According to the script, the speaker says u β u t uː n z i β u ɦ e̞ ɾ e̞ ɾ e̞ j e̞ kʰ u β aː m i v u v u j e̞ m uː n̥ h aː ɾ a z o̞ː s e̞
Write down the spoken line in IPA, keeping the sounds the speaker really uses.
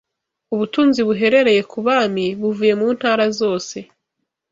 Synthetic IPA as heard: u β u t uː n z i β u ɦ e̞ ɾ e̞ ɾ e̞ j e̞ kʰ u β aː m i β u v u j e̞ m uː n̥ h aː ɾ a z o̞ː s e̞